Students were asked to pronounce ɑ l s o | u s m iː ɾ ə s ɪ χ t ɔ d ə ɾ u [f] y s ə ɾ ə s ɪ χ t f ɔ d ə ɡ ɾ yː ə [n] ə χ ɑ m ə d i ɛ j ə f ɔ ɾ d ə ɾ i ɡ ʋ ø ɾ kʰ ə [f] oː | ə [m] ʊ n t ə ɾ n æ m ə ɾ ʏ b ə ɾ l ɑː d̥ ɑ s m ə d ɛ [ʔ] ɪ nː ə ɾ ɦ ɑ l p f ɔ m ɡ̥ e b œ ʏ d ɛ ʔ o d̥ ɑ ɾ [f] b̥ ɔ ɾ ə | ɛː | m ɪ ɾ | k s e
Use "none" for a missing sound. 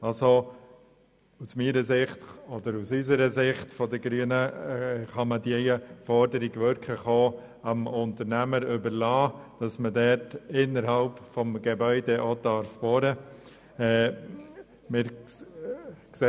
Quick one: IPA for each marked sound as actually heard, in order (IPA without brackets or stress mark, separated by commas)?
s, n, χ, m, t, f